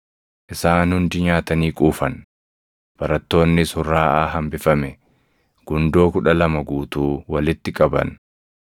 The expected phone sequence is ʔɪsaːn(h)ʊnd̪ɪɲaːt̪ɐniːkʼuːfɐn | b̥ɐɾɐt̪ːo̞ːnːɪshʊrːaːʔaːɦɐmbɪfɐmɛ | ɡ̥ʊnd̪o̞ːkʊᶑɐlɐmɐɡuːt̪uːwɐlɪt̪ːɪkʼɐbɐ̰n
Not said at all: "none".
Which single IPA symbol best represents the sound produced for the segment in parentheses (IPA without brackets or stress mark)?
h